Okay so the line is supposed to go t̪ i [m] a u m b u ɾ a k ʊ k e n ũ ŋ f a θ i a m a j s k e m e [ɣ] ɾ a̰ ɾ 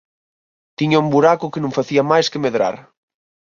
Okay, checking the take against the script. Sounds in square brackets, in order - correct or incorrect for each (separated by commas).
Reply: incorrect, incorrect